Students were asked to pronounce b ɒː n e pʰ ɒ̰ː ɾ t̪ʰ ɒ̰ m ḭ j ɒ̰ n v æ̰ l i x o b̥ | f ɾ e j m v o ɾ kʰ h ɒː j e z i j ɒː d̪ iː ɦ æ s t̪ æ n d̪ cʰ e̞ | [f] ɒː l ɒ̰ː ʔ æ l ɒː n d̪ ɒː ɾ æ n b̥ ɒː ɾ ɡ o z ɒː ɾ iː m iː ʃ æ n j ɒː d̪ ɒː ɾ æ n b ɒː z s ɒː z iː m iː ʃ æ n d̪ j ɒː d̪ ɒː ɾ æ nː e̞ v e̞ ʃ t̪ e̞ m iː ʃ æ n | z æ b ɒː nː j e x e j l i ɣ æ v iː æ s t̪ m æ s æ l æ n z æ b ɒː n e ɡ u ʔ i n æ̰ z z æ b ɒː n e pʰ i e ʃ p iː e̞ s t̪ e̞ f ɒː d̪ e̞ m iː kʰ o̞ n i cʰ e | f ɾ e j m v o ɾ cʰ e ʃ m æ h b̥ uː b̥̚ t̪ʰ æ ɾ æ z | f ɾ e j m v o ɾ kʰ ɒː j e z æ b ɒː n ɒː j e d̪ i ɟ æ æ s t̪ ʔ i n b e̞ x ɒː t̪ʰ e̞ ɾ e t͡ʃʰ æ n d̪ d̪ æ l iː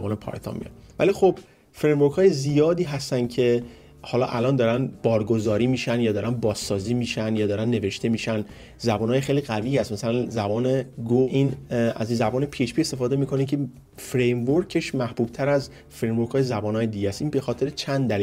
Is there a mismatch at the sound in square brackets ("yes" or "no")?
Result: yes